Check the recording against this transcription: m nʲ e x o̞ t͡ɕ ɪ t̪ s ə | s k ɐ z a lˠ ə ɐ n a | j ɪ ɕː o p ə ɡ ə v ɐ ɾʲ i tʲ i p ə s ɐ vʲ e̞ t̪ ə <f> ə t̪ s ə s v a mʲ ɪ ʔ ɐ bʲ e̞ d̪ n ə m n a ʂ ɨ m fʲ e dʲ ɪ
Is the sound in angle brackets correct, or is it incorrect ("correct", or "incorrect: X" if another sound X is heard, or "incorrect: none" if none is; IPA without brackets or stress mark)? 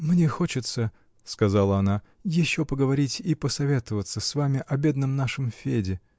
incorrect: v